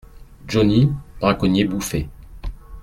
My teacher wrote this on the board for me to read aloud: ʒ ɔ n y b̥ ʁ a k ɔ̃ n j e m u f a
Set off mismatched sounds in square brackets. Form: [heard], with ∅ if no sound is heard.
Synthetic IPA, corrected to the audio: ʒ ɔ n [i] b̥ ʁ a k [ɔ] n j e [b] u f [e]